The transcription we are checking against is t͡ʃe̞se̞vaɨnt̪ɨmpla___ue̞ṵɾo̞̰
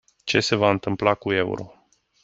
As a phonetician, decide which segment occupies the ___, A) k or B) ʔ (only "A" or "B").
A